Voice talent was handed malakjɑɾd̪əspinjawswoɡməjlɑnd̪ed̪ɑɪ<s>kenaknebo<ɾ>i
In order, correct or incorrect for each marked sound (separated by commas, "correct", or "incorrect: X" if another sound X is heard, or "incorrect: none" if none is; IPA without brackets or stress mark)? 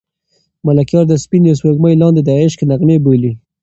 incorrect: ʃ, incorrect: l